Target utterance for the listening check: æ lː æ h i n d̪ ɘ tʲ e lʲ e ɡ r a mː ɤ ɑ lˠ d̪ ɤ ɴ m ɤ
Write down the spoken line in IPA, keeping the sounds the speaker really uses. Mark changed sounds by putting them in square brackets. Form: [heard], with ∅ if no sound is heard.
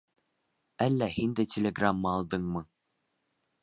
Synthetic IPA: æ lː æ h i n d̪ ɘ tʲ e lʲ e ɡ r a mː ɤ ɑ lˠ d̪ ɤ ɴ m ɤ